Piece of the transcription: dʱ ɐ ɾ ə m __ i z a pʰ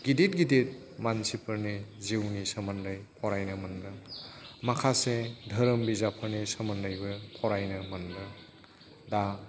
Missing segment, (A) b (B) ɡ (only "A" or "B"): A